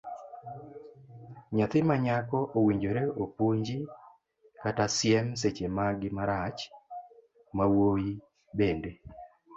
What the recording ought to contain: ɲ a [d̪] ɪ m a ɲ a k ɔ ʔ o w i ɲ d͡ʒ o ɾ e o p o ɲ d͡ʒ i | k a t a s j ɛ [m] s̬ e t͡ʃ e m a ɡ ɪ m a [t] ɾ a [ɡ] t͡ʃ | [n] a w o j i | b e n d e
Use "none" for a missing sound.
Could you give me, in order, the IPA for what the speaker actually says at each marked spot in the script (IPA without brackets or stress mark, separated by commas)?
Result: t̪, m, none, none, m